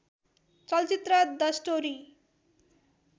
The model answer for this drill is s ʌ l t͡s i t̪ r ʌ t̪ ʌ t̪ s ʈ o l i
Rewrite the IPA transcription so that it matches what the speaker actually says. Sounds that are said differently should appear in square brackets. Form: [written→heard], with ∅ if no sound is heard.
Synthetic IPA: [s→t͡s] ʌ l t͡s i t̪ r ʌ [t̪→d̪] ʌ [t̪→∅] s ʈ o [l→ɾ] i